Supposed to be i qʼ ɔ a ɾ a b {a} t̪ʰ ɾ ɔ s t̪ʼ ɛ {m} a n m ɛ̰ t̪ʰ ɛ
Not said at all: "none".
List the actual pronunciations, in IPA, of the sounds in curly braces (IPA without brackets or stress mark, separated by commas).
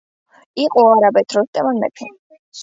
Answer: ɛ, m